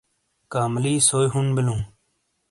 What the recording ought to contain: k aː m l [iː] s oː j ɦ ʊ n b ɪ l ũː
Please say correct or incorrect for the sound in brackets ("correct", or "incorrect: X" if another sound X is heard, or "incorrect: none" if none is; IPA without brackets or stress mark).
correct